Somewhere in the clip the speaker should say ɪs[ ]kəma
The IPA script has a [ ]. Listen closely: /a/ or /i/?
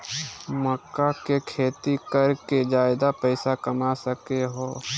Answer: a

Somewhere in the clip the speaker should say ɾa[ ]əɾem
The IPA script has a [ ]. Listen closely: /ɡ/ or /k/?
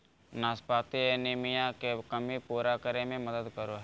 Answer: k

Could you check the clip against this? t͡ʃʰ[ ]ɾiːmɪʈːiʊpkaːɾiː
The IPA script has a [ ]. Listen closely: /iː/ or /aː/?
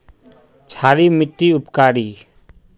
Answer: aː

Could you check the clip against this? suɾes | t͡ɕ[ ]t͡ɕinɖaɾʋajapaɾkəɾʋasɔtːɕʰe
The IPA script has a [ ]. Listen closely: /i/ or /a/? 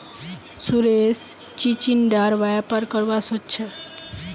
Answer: i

